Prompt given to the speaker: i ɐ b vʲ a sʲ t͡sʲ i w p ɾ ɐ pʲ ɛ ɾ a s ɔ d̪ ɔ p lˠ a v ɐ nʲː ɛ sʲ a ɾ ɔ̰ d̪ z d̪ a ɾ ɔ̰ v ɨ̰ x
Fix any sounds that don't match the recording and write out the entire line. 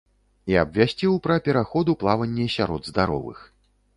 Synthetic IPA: i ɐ b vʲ a sʲ t͡sʲ i w p ɾ ɐ pʲ ɛ ɾ a x ɔ d̪ u p lˠ a v ɐ nʲː ɛ sʲ a ɾ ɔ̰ d̪ z d̪ a ɾ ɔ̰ v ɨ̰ x